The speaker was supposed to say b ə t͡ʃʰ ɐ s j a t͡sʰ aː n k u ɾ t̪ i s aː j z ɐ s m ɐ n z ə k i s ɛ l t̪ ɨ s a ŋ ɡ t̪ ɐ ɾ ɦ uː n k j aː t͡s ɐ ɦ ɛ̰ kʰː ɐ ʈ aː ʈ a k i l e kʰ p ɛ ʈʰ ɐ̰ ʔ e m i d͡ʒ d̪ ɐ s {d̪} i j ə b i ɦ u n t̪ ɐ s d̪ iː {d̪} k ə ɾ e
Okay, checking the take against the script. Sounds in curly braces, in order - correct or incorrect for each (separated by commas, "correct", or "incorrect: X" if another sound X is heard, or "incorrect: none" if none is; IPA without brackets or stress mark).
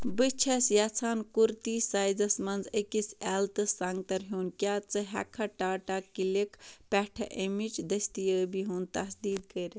incorrect: t̪, correct